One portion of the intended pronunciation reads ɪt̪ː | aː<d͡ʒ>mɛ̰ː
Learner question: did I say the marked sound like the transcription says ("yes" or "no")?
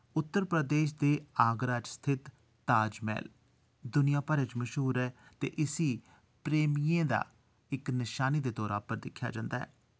yes